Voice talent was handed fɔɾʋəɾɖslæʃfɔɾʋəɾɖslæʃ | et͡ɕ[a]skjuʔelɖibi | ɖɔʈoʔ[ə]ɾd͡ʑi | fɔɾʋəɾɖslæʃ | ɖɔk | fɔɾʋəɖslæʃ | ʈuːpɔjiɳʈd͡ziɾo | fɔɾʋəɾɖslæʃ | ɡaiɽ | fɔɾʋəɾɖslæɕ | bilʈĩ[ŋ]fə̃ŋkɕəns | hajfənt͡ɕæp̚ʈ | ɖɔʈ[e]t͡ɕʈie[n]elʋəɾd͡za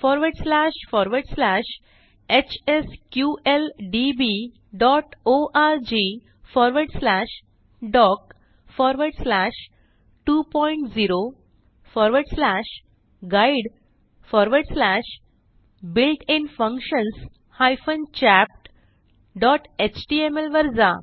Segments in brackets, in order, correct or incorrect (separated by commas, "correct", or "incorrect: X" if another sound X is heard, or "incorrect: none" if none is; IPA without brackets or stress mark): incorrect: e, incorrect: a, incorrect: n, correct, incorrect: m